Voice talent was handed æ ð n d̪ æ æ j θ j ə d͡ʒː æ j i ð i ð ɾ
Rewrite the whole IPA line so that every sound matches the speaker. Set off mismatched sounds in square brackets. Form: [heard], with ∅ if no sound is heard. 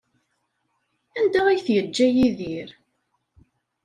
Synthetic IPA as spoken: æ [∅] n d̪ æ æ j θ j ə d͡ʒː æ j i ð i [∅] ɾ